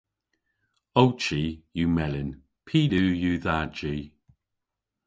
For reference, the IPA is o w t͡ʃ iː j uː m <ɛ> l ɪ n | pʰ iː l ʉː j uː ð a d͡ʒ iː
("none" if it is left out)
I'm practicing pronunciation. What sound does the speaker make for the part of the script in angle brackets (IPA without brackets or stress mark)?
ɛ